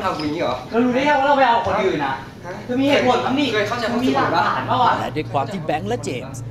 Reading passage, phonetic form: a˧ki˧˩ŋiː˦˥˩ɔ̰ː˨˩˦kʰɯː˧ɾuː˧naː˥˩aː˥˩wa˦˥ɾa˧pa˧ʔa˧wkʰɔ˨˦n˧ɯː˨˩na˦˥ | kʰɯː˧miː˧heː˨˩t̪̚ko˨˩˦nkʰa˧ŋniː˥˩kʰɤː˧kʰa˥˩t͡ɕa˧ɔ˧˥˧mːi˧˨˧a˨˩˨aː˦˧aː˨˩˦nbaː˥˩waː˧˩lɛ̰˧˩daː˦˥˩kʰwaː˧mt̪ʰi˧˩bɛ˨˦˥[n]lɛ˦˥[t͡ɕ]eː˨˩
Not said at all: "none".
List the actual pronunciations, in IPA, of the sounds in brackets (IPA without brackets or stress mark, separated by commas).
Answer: ŋ, t͡ɕ